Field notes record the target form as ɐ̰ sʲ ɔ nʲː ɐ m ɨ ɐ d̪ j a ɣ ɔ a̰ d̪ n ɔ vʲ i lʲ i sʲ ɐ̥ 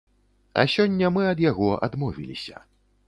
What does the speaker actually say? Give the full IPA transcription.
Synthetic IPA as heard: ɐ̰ sʲ ɔ nʲː ɐ m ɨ ɐ d̪ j a ɣ ɔ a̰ d̪ m ɔ vʲ i lʲ i sʲ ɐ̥